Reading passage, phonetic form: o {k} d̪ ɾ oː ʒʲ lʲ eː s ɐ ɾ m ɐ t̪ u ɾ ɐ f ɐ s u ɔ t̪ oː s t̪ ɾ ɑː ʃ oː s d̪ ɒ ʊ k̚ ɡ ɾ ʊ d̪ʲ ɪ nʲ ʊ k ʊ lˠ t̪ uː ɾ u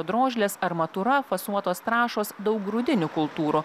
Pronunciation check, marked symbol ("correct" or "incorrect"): incorrect